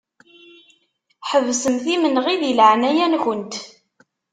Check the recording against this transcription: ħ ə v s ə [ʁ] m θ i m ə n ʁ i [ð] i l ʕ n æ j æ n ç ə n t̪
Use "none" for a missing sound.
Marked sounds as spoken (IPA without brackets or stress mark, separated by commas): none, ð